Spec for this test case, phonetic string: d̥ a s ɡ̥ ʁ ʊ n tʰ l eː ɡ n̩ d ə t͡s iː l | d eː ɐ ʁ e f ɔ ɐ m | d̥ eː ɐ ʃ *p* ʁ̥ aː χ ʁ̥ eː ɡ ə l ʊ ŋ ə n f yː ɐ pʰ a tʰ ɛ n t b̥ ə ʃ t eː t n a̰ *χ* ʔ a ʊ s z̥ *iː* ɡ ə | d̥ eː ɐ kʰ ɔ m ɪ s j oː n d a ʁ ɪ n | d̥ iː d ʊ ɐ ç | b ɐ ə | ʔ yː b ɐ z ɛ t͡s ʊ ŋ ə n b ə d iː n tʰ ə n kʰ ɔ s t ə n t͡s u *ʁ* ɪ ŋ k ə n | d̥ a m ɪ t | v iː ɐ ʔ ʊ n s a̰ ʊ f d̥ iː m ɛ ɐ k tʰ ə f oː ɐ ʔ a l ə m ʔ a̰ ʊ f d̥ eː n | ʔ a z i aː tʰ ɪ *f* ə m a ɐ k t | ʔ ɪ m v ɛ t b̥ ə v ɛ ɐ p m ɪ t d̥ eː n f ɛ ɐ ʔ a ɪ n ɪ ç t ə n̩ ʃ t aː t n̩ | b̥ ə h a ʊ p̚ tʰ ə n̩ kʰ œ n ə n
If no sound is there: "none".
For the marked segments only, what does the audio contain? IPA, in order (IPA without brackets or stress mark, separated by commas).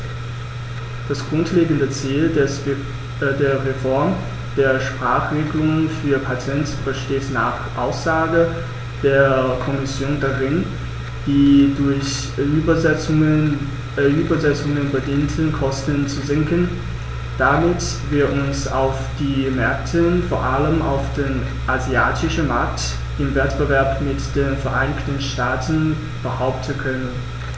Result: p, χ, aː, z, ʃ